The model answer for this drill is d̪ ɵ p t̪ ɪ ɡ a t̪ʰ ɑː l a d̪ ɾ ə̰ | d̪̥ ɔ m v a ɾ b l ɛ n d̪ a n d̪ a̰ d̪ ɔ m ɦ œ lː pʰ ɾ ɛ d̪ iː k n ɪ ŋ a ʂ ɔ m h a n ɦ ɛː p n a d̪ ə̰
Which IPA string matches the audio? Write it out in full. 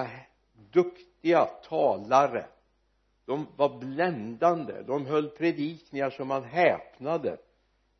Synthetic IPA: d̪ ɵ k t̪ ɪ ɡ a t̪ʰ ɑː l a ɾ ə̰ | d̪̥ ɔ m v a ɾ b l ɛ n d̪ a n d̪ ə̰ d̪ ɔ m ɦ œ lː pʰ ɾ ɛ d̪ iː k n ɪ ŋ a ʂ ɔ m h a n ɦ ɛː p n a d̪ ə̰